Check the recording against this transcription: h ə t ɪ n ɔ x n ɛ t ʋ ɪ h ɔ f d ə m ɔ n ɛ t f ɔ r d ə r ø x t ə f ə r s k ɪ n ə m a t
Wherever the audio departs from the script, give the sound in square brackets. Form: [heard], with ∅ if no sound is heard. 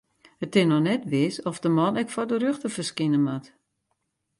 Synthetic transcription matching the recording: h ə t ɪ n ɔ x n ɛ t ʋ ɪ [s] ɔ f d ə m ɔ n ɛ [k] f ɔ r d ə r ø x t ə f ə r s k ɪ n ə m a t